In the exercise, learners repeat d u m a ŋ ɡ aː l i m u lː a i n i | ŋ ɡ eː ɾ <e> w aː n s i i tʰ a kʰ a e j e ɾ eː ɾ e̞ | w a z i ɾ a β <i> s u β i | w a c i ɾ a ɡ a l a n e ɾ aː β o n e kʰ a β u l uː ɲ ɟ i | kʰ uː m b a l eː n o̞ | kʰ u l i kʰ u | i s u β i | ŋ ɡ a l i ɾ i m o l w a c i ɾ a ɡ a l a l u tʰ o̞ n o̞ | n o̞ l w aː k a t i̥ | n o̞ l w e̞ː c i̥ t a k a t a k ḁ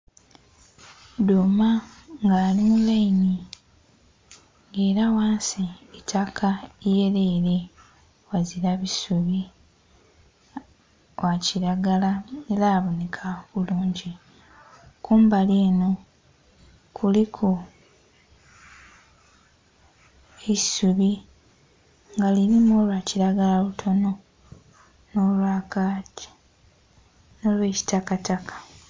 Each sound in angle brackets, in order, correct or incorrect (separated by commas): incorrect, correct